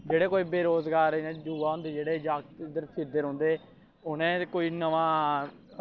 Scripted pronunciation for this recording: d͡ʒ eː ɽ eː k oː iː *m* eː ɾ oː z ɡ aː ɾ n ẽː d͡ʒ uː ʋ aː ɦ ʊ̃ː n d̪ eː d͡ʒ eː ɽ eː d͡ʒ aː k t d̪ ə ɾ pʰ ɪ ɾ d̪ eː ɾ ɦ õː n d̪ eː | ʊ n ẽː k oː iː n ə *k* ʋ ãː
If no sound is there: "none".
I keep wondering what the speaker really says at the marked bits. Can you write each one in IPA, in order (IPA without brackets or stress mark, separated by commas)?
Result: b, none